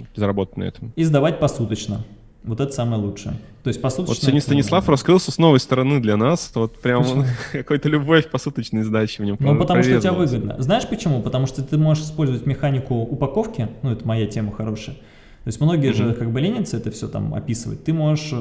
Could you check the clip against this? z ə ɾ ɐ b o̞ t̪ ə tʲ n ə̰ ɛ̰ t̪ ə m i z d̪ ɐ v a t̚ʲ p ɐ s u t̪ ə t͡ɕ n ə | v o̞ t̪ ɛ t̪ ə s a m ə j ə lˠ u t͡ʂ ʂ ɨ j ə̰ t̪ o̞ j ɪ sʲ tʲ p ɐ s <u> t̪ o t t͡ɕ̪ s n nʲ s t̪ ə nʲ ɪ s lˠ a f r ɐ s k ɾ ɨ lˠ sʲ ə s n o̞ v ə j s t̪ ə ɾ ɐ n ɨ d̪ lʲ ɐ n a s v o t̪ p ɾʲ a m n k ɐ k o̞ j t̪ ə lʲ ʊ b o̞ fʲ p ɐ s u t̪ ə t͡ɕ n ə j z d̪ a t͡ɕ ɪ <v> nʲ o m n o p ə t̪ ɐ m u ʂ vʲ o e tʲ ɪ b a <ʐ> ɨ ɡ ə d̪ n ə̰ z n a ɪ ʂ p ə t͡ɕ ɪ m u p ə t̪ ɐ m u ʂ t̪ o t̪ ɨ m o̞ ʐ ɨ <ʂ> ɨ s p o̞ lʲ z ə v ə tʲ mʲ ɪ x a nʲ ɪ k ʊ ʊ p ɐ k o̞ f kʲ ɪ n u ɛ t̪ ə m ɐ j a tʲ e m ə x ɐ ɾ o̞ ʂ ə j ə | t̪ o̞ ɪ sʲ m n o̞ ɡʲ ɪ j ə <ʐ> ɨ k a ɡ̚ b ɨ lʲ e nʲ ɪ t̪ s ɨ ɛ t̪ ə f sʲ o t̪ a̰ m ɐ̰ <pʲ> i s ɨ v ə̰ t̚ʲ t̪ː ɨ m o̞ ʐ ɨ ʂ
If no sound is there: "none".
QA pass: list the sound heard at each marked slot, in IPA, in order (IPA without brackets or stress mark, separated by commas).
u, v, v, ʂ, ʐ, pʲ